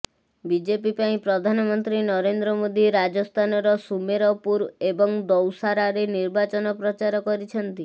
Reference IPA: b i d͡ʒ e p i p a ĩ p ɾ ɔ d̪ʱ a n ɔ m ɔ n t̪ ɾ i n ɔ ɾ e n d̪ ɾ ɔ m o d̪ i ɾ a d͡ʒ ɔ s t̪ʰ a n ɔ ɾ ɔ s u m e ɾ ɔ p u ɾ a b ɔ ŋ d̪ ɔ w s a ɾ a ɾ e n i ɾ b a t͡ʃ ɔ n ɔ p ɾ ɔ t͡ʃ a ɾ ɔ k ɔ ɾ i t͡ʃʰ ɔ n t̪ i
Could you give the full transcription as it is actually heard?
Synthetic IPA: b i d͡ʒ e p i p a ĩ p ɾ ɔ d̪ʱ a n ɔ m ɔ n t̪ ɾ i n ɔ ɾ e n d̪ ɾ ɔ m o d̪ i ɾ a d͡ʒ ɔ s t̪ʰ a n ɔ ɾ ɔ s u m e ɾ ɔ p u ɾ e b ɔ ŋ d̪ ɔ w s a ɾ a ɾ e n i ɾ b a t͡ʃ ɔ n ɔ p ɾ ɔ t͡ʃ a ɾ ɔ k ɔ ɾ i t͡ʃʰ ɔ n t̪ i